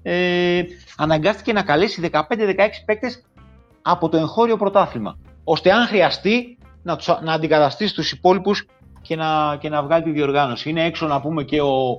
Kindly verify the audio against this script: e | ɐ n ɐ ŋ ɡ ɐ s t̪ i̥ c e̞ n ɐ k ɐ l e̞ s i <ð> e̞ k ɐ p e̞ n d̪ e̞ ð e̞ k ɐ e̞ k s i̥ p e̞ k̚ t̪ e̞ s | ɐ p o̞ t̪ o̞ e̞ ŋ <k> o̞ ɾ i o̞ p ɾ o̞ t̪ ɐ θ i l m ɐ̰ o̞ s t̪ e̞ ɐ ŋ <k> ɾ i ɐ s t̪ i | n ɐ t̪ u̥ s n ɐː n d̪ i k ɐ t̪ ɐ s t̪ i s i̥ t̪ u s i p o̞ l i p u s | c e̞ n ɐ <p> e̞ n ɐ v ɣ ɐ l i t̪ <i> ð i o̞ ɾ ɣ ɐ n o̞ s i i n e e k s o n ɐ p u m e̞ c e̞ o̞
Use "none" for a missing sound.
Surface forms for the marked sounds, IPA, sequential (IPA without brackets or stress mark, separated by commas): ð, x, x, c, i